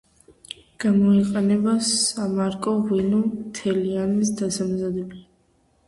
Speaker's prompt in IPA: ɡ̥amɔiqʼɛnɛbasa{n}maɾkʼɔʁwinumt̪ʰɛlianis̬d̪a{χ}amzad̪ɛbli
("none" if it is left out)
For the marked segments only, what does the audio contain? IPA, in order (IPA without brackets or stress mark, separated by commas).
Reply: none, s